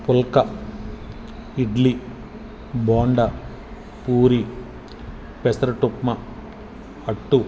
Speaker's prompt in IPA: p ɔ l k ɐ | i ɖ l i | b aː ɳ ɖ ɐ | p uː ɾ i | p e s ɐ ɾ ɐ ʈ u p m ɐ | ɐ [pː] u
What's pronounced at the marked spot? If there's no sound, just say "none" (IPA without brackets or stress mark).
ʈː